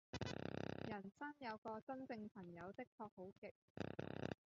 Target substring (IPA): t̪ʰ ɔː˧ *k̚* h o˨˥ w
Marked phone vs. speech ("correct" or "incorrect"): correct